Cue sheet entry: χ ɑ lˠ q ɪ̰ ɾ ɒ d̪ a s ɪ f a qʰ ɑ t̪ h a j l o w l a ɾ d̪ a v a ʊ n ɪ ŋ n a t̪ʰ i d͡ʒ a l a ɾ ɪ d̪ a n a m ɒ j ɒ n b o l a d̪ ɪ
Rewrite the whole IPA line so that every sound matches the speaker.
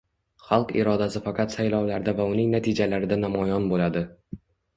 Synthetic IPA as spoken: χ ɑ lˠ q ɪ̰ ɾ ɒ d̪ a s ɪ f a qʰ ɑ t̪ s a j l ɒ w l a ɾ d̪ a v a ʊ n ɪ ŋ n a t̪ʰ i d͡ʒ a l a ɾ ɪ d̪ a n a m ɒ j ɒ n b o l a d̪ ɪ